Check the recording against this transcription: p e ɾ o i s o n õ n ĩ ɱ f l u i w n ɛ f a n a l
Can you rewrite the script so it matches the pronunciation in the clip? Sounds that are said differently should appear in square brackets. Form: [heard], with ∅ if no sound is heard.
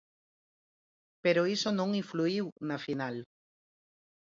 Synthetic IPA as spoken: p e ɾ o i s o n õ [ŋ] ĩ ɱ f l u i w n [a] f [i] n a l